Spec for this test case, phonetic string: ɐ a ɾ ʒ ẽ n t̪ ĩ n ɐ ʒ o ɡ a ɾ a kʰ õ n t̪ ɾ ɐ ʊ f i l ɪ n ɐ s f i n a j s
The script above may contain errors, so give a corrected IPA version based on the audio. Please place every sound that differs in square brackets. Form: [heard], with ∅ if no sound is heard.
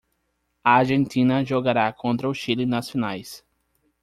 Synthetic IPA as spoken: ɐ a ɾ ʒ ẽ n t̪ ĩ n ɐ ʒ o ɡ a ɾ a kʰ õ n t̪ ɾ ɐ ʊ [ʃ] i l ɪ n ɐ s f i n a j s